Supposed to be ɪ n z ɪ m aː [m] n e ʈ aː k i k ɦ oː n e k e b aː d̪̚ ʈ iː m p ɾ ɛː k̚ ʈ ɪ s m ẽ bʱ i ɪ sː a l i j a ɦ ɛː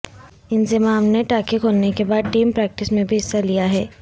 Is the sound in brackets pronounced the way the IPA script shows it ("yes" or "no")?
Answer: yes